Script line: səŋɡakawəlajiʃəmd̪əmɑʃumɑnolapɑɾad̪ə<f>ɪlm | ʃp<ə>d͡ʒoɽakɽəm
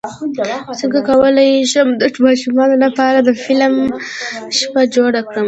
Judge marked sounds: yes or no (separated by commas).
yes, no